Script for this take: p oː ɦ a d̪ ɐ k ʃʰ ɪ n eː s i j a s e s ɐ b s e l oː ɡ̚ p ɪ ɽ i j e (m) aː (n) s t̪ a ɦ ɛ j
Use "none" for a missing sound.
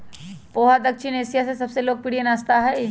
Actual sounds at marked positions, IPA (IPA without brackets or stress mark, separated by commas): n, none